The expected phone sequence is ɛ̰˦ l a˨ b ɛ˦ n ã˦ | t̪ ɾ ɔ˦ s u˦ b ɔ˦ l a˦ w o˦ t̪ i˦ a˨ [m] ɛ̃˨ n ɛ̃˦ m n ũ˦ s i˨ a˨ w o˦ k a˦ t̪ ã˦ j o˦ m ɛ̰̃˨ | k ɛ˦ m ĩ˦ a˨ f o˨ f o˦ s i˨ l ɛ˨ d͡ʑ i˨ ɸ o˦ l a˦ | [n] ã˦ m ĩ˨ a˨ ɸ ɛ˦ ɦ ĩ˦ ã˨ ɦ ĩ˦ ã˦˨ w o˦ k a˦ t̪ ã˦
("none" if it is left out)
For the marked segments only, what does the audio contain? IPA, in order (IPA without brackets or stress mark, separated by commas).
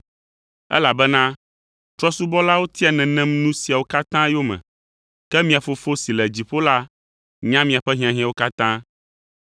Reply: n, ɲ